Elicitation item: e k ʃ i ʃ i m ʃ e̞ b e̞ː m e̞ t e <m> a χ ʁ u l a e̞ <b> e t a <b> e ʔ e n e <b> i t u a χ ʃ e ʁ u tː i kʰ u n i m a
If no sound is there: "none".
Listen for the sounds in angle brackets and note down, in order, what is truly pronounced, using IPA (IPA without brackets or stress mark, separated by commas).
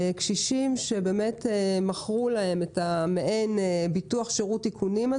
m, m, m, b